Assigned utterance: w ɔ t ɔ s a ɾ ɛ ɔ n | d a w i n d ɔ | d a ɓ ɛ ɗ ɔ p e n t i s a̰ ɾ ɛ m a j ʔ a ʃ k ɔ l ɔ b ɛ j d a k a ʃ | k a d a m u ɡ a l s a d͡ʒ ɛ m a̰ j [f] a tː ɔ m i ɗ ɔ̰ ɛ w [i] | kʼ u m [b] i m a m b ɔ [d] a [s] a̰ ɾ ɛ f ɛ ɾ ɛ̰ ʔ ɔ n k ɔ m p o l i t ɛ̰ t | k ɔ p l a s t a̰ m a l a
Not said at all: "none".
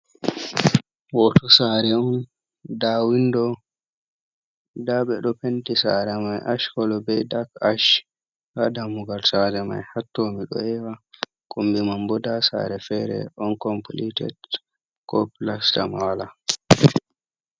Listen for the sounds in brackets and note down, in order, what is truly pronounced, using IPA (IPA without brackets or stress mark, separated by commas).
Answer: h, a, b, d, s